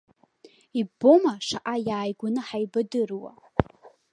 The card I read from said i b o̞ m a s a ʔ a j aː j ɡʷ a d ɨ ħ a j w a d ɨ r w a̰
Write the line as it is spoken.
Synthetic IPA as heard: i b o̞ m a ʂ a ʔ a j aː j ɡʷ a n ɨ ħ a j b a d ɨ r w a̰